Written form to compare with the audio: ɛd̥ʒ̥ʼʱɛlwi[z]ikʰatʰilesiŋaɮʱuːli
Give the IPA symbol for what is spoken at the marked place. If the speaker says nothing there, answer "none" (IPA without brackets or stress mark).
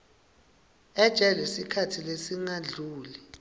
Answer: s